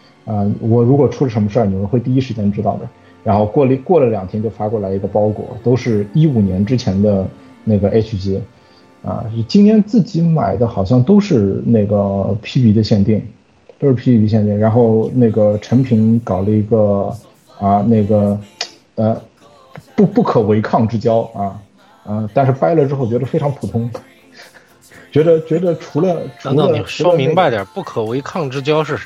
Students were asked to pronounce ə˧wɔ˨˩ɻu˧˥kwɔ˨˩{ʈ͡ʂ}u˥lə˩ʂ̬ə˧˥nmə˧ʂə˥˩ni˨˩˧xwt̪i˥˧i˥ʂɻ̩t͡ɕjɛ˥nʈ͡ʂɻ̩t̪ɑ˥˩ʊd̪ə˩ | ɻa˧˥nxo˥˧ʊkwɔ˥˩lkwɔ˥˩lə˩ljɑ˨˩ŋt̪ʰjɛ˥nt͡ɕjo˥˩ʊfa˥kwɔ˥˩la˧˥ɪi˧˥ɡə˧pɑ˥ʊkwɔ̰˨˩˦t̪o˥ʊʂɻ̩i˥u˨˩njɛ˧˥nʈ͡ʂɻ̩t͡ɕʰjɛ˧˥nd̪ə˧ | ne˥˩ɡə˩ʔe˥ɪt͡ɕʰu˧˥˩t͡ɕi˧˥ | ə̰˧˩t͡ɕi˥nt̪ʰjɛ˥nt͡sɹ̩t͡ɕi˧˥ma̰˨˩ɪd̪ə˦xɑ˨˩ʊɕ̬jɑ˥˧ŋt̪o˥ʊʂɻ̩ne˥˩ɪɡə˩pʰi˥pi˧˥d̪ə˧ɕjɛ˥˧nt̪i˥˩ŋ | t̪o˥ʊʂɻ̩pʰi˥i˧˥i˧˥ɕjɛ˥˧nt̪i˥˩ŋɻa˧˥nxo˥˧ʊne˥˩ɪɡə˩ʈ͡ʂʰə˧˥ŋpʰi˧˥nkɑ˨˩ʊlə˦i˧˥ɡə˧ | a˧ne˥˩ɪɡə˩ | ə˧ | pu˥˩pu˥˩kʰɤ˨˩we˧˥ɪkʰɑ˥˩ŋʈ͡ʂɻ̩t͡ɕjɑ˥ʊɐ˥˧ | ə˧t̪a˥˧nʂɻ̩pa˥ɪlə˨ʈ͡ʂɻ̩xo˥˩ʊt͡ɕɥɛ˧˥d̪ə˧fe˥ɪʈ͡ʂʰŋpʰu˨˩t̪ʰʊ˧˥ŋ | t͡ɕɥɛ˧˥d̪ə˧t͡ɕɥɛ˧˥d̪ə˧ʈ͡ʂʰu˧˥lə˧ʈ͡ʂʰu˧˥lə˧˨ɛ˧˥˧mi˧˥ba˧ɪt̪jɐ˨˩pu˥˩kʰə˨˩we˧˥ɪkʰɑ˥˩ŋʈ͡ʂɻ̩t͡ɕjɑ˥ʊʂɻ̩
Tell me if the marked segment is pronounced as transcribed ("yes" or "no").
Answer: no